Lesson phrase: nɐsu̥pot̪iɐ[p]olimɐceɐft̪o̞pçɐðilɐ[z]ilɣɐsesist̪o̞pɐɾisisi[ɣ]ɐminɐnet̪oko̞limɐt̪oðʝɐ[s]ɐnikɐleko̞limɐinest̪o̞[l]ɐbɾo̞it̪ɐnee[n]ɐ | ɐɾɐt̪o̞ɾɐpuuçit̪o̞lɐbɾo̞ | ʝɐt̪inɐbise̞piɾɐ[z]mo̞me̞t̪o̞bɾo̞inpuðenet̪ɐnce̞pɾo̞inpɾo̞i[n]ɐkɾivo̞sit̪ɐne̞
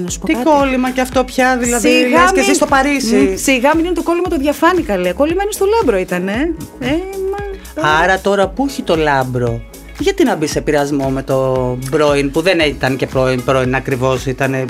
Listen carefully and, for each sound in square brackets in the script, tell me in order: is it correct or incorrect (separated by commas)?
incorrect, incorrect, correct, incorrect, correct, incorrect, correct, correct